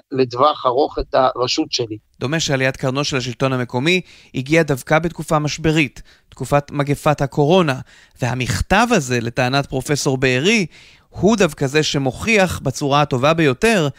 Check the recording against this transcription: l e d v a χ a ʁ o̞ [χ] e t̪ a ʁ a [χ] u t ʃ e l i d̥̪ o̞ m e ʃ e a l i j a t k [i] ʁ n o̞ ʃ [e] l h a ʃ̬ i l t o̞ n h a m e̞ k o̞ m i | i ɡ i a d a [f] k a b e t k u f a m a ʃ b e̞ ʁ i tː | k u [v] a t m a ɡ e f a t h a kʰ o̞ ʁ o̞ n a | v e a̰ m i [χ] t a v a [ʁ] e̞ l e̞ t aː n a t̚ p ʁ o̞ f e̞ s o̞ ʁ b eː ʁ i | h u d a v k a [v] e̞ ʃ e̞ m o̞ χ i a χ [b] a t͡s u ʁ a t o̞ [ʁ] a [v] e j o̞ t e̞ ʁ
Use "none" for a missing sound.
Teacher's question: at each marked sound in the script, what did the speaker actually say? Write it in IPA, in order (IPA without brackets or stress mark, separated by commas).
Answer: χ, ʃ, a, e, v, f, χ, z, z, b, v, b